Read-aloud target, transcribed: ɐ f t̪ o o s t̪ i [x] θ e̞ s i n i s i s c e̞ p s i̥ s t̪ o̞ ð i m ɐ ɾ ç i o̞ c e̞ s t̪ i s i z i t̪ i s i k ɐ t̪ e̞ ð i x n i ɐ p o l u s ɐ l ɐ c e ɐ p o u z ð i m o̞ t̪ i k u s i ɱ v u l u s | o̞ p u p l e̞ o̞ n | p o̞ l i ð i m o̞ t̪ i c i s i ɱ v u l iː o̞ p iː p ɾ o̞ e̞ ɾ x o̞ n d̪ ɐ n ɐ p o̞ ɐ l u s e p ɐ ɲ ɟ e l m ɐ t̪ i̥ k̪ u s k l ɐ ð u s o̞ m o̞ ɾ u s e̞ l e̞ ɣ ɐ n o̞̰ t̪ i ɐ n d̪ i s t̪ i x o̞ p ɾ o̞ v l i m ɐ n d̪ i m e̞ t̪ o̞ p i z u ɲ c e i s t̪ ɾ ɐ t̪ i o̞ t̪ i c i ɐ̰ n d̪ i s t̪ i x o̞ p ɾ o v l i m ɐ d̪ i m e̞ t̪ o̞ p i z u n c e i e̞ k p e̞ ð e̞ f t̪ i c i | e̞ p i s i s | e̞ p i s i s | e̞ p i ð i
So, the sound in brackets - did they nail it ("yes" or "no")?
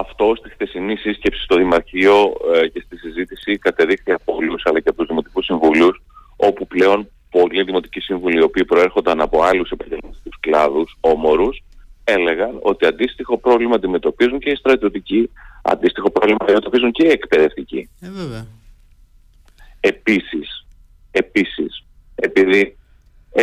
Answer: yes